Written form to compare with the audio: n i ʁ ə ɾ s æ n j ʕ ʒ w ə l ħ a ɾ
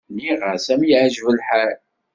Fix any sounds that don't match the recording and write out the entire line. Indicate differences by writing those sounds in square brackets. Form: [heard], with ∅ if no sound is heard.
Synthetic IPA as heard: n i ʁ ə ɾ s æ [m] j ʕ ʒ [v] ə l ħ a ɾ